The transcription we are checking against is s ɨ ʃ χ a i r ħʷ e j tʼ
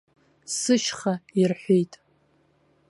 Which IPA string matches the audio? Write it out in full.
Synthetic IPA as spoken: s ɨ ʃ χ a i r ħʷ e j tʼ